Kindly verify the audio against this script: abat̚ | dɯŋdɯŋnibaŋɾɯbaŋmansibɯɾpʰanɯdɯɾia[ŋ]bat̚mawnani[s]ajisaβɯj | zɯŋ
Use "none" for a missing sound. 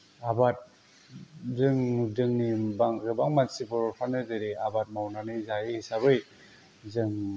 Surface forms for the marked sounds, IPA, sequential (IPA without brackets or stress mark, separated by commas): none, z